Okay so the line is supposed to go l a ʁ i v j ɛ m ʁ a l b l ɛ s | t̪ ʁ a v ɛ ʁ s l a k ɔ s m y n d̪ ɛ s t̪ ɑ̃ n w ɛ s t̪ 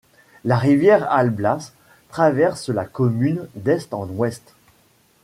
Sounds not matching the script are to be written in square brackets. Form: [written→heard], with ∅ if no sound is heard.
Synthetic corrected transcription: l a ʁ i v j ɛ [m→∅] ʁ a l b l [ɛ→a] s | t̪ [ʁ→χ] a v ɛ ʁ s l a k ɔ [s→∅] m y n d̪ ɛ s t̪ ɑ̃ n w ɛ s t̪